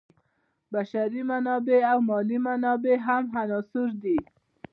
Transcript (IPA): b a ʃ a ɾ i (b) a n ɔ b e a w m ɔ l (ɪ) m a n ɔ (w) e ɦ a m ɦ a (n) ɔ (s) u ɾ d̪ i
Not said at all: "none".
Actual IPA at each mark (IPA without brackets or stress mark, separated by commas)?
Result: m, i, b, n, s